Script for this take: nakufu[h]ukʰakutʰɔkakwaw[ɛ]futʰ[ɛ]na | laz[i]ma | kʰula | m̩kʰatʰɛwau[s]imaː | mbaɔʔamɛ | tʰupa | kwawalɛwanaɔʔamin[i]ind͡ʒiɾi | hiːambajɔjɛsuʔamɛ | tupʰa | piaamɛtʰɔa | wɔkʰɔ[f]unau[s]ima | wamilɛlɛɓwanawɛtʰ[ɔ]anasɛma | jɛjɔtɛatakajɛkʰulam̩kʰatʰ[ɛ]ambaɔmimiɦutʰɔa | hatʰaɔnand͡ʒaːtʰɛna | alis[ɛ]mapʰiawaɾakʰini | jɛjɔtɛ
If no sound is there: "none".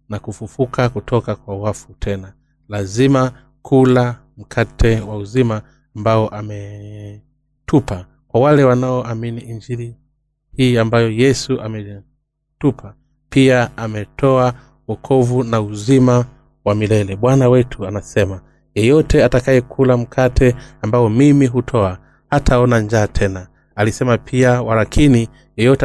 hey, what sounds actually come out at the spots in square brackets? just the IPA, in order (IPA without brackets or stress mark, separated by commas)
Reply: f, a, ɛ, i, z, i, v, z, u, ɛ, ɛ